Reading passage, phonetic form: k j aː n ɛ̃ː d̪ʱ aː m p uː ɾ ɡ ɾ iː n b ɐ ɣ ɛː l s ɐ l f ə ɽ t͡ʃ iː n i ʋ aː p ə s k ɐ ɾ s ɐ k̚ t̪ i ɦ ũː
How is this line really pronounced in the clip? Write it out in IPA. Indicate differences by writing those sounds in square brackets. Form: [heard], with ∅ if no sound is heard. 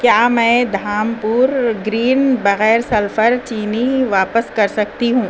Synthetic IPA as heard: k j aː [m] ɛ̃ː d̪ʱ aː m p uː ɾ ɡ ɾ iː n b ɐ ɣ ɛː [ɾ] s ɐ l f ə [ɾ] t͡ʃ iː n i ʋ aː p ə s k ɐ ɾ s ɐ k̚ t̪ i ɦ ũː